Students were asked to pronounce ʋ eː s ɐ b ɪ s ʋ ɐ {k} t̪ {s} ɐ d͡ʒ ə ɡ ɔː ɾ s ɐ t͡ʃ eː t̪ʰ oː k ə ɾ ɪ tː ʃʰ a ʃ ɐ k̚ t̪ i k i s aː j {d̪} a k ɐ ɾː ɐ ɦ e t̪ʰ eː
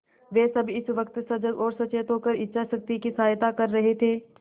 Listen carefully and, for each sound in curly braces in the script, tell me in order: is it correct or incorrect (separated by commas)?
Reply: correct, correct, incorrect